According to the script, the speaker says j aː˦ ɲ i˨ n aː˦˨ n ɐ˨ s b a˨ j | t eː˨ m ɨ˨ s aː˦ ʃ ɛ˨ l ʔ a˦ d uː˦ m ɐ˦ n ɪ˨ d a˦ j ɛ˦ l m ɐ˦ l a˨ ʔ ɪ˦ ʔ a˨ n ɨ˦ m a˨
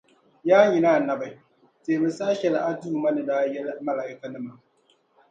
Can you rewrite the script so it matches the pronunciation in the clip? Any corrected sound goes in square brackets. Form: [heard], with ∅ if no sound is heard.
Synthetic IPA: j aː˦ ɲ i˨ n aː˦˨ n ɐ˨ [∅] b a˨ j | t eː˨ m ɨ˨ s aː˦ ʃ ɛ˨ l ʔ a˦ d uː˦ m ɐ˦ n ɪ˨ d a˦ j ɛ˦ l m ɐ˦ l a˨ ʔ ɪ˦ [k] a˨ n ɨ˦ m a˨